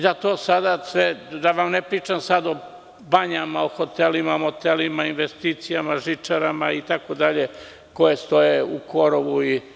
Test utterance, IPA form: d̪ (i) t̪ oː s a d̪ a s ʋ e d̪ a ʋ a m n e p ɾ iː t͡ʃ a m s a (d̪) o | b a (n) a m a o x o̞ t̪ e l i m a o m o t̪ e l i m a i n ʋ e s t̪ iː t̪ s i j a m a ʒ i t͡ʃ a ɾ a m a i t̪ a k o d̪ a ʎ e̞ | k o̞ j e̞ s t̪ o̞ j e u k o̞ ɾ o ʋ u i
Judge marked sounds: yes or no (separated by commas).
no, yes, no